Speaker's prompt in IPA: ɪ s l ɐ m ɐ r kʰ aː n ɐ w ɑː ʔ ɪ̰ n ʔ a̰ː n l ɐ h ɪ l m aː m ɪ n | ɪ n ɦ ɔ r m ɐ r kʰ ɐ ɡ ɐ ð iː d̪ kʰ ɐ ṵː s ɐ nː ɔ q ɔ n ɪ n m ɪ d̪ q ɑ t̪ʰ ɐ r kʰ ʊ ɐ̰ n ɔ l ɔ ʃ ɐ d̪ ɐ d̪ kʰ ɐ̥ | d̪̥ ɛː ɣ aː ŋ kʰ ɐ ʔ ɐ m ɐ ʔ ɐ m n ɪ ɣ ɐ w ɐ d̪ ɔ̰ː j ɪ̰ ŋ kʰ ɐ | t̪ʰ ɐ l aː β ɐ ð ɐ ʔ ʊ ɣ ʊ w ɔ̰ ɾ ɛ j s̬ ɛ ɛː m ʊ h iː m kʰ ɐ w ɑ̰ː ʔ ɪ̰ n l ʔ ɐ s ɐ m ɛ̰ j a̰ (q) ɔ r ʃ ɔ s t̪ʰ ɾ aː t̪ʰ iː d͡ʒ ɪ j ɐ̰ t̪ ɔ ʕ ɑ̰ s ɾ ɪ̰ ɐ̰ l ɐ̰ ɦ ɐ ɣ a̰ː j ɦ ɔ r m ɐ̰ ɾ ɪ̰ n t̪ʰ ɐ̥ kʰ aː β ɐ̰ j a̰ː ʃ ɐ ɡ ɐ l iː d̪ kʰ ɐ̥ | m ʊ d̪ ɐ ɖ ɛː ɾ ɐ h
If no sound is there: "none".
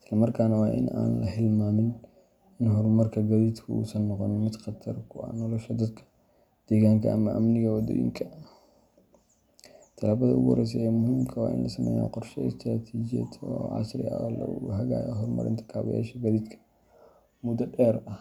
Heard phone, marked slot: q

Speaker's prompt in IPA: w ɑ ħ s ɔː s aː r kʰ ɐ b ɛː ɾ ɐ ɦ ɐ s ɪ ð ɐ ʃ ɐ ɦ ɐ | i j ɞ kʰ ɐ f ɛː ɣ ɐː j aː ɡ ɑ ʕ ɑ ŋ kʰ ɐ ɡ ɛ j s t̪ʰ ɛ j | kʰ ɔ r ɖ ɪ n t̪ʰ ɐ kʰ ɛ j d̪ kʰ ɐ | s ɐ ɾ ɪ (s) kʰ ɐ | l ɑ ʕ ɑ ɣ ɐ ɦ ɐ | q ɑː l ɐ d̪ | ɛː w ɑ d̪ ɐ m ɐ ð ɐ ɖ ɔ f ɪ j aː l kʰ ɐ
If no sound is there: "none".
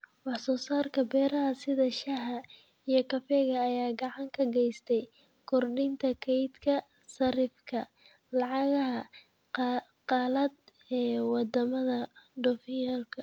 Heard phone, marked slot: f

